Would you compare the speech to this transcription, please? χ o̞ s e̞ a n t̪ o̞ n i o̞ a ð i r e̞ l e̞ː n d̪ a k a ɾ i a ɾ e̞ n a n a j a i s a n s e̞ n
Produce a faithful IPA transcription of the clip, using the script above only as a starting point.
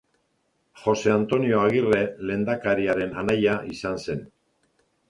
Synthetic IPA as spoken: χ o̞ s e̞ a n t̪ o̞ n i o̞ a ɣ i r e̞ l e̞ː n d̪ a k a ɾ i a ɾ e̞ n a n a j a i s a n s e̞ n